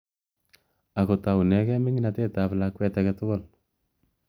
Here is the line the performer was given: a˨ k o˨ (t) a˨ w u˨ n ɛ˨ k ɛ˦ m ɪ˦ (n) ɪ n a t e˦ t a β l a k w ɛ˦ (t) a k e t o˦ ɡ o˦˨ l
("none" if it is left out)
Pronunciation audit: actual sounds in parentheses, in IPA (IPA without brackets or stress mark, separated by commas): t, ŋ, t